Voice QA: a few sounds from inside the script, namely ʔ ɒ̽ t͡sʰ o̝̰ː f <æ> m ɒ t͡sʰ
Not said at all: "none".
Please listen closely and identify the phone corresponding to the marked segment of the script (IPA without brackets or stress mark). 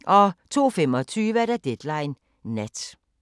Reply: e